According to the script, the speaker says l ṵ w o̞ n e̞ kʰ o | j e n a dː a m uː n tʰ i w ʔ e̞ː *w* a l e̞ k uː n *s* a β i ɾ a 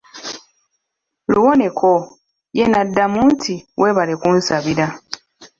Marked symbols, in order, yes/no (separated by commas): no, yes